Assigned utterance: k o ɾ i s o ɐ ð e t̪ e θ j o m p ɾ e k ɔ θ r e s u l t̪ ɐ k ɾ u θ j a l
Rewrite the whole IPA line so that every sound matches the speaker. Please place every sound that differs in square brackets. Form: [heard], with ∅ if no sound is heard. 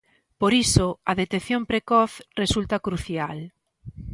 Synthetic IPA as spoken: [p] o ɾ i s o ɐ ð e t̪ e θ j o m p ɾ e k ɔ θ r e s u l t̪ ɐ k ɾ u θ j a l